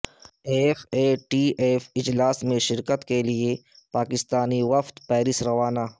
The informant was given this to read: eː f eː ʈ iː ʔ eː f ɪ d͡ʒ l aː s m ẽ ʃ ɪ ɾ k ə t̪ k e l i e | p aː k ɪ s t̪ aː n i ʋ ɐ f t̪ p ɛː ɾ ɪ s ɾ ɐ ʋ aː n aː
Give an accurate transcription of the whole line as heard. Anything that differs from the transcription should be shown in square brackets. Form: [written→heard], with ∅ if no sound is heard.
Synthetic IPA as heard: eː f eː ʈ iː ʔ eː f ɪ d͡ʒ l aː s m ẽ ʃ ɪ ɾ k ə t̪ k e l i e | p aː k ɪ s t̪ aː n i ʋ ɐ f t̪ p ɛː ɾ ɪ s ɾ ɐ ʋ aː n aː

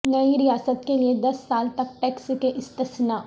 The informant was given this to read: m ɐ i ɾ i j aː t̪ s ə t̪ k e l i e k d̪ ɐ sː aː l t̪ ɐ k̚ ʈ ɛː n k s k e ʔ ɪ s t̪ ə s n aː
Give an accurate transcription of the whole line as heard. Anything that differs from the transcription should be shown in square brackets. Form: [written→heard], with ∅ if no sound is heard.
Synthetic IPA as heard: [m→n] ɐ i ɾ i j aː [t̪→∅] s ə t̪ k e l i e [k→∅] d̪ ɐ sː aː l t̪ ɐ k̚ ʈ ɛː [n→∅] k s k e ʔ ɪ s t̪ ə s n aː

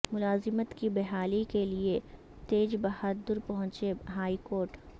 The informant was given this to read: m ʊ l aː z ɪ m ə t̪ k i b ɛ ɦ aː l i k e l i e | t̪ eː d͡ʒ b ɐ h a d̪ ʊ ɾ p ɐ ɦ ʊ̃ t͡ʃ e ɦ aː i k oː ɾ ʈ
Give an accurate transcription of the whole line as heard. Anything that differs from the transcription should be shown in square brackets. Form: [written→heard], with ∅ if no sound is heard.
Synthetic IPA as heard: m ʊ l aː z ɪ m ə t̪ k i b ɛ ɦ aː l i k e l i e | t̪ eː d͡ʒ b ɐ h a d̪ ʊ ɾ p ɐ ɦ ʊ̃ t͡ʃ e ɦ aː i k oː ɾ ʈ

